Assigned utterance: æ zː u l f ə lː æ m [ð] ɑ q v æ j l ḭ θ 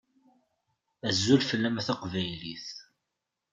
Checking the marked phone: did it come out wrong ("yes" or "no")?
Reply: yes